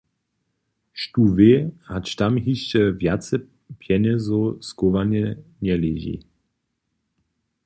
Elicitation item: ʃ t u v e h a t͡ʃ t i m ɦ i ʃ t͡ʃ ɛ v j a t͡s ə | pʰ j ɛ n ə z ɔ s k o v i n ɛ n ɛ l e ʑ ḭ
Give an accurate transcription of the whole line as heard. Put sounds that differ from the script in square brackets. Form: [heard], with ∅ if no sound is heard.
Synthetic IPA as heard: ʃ t u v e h a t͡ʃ t [a] m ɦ i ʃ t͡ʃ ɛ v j a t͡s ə | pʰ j ɛ n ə z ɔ s k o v [a] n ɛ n ɛ l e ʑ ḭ